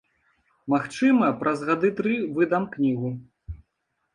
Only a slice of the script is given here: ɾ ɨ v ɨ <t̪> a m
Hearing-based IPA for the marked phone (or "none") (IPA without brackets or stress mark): d̪